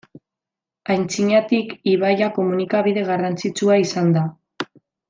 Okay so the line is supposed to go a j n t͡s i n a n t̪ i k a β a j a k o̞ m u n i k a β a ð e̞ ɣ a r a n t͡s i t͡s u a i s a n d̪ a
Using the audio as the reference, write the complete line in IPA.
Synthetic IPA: a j n t͡s i ɲ a t̪ i k i β a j a k o̞ m u n i k a β i ð e̞ ɣ a r a n t͡s i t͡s u a i s a n d̪ a